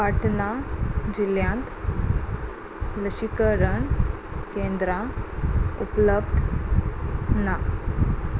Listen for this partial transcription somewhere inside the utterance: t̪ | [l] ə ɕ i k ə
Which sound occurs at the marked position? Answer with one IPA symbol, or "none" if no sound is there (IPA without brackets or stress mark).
l